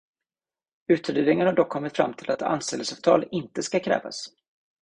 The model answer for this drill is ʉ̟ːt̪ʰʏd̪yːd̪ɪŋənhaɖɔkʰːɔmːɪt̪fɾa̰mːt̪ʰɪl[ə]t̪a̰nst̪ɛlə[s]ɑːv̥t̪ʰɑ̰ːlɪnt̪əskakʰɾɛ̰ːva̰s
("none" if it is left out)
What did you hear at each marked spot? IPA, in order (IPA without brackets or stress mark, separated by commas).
a, s